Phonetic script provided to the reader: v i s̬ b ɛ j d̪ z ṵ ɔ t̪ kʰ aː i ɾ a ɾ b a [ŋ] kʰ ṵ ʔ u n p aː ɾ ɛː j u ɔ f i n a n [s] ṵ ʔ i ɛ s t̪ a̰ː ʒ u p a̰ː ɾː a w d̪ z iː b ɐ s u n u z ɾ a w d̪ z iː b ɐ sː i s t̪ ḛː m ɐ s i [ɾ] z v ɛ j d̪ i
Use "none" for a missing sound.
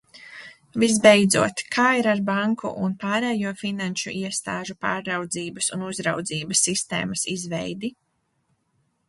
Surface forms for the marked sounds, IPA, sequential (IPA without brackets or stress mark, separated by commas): ŋ, ʃ, none